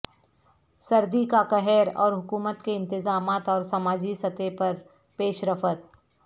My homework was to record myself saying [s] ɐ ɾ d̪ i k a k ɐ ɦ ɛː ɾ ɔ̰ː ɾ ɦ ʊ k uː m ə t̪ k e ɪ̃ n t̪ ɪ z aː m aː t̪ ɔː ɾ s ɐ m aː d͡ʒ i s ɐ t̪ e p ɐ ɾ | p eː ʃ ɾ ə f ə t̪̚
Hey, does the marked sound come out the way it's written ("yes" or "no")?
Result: yes